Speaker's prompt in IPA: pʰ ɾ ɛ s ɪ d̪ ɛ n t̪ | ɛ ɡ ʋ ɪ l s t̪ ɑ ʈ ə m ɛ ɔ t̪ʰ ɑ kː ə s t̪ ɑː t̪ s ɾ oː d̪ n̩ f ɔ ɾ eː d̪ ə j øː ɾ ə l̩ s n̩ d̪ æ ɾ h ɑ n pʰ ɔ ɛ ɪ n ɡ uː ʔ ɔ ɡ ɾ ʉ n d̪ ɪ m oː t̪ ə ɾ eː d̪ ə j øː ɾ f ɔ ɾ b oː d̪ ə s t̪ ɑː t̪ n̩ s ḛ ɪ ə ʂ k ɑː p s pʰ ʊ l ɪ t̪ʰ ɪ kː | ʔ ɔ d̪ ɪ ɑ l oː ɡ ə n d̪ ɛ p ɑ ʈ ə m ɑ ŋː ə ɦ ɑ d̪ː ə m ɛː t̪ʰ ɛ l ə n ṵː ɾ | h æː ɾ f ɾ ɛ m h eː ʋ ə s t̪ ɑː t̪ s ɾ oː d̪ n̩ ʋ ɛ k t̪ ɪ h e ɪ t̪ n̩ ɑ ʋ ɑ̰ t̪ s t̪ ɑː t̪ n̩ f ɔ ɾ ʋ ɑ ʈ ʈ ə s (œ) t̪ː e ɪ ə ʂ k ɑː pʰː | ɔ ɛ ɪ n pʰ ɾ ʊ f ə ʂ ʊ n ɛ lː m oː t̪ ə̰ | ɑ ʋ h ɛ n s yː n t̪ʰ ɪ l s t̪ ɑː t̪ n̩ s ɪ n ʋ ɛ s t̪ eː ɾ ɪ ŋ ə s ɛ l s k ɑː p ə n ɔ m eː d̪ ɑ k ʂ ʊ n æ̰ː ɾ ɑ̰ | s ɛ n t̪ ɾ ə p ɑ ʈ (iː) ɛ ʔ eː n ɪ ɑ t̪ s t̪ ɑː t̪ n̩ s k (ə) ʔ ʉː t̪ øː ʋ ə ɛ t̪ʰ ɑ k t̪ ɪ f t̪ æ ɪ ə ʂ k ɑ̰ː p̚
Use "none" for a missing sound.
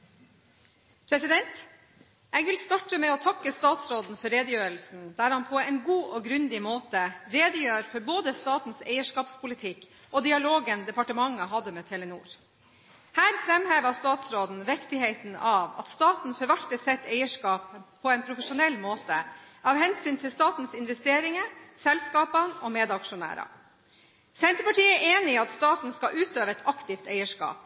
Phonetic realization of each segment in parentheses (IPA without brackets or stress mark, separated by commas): ɛ, iː, ɑ